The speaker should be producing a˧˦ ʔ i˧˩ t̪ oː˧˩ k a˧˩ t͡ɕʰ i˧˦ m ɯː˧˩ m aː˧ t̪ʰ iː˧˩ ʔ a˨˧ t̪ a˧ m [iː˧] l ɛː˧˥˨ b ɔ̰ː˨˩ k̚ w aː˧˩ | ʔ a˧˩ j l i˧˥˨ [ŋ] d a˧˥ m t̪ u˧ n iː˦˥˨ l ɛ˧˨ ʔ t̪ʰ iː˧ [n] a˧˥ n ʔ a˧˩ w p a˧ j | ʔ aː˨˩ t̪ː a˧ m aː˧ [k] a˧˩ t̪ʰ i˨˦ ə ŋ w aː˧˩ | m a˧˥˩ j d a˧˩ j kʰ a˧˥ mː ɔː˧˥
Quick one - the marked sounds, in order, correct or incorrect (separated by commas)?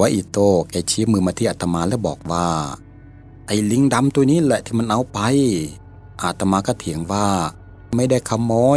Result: incorrect, correct, incorrect, correct